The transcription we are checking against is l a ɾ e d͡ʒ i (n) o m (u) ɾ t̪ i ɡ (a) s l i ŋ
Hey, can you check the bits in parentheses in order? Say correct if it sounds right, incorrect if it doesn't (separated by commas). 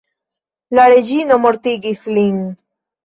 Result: correct, incorrect, incorrect